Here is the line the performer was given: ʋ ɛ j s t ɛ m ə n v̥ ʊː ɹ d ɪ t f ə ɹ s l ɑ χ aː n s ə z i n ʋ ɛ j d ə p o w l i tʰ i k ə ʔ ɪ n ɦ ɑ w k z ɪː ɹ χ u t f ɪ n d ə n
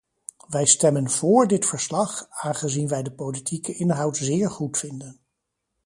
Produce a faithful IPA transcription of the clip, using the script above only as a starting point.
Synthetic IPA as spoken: ʋ ɛ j s t ɛ m ə n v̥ ʊː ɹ d ɪ t f ə ɹ s l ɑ χ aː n χ ə z i n ʋ ɛ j d ə p o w l i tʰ i k ə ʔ ɪ n ɦ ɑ w t z ɪː ɹ χ u t f ɪ n d ə n